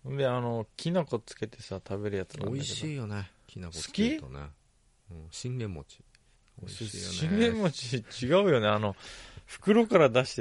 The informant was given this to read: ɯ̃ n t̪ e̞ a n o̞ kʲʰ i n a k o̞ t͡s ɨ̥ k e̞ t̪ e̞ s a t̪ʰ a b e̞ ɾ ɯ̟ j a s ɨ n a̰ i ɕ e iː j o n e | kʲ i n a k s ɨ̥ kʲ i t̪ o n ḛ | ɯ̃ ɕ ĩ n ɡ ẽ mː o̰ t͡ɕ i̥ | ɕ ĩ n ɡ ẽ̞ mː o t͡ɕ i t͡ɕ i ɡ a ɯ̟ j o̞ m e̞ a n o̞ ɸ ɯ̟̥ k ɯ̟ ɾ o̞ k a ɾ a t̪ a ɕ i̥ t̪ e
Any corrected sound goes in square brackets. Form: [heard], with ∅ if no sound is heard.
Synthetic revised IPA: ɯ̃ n [d̪] e̞ a n o̞ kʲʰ i n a k o̞ t͡s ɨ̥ k e̞ t̪ e̞ s a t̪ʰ a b e̞ ɾ ɯ̟ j a [t͡s] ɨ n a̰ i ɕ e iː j o n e | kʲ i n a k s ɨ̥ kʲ i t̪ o n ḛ | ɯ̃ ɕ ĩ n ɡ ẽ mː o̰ t͡ɕ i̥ | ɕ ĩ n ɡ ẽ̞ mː o t͡ɕ i t͡ɕ i ɡ a ɯ̟ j o̞ [n] e̞ a n o̞ ɸ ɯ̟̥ k ɯ̟ ɾ o̞ k a ɾ a [d̪] a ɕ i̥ t̪ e